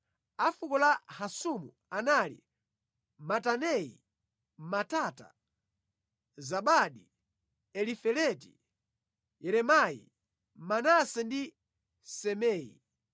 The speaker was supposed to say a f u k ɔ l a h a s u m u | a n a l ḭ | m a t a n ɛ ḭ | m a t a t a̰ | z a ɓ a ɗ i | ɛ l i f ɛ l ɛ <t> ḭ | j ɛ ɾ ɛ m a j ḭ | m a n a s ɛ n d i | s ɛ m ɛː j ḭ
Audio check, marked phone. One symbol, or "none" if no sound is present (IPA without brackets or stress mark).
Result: t